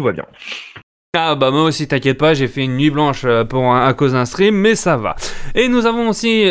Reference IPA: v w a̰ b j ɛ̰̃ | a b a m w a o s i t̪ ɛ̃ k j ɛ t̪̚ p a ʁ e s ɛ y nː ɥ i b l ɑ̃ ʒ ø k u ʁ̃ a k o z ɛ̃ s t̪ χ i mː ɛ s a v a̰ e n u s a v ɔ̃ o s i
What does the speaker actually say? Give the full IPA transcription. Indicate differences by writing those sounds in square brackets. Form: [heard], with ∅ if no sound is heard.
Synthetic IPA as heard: v w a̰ b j ɛ̰̃ | a b a m w a o s i t̪ ɛ̃ k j ɛ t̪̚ p a [ʒ] e [f] ɛ y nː ɥ i b l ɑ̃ [ʃ] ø [p] u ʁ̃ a k o z ɛ̃ s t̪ χ i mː ɛ s a v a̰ e n u [z] a v ɔ̃ o s i